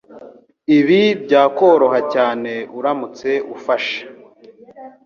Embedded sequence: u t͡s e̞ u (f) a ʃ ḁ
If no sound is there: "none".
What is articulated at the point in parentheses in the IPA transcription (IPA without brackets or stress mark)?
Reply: f